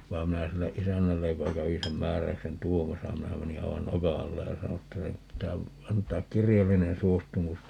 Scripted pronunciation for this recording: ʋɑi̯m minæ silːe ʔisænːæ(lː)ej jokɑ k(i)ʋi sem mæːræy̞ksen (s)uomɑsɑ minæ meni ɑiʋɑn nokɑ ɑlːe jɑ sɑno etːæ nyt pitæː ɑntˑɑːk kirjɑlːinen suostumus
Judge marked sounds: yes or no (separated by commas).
yes, no, no